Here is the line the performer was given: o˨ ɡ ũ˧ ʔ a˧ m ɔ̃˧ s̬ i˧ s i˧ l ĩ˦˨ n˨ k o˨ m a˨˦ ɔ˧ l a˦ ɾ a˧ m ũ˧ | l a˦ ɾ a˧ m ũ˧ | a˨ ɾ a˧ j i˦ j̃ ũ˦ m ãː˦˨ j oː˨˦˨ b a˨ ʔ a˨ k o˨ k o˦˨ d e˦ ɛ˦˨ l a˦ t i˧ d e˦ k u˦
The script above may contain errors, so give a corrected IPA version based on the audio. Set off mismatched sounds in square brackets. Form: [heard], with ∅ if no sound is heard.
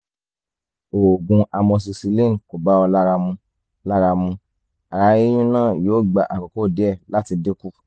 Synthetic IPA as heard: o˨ ɡ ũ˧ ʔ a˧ m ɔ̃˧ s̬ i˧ s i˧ l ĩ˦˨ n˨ k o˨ [b] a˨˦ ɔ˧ l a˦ ɾ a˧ m ũ˧ | l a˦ ɾ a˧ m ũ˧ | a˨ ɾ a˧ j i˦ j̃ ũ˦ [n] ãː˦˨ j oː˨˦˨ [ɡ͡b] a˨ ʔ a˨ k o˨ k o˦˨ d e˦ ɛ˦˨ l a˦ t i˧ d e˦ k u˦